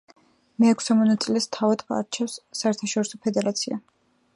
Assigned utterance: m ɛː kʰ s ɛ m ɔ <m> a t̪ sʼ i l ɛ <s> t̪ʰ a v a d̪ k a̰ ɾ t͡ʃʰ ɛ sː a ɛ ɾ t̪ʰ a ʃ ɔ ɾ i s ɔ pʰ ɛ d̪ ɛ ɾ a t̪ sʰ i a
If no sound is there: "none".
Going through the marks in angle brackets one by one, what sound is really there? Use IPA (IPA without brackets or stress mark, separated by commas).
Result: n, s